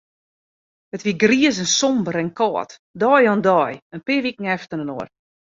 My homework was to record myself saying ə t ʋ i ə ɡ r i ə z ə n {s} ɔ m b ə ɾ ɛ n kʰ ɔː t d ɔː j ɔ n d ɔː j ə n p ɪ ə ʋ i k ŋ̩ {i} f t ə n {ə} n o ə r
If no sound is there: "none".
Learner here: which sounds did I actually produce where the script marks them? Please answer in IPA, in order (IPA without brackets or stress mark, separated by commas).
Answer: s, ɛ, ə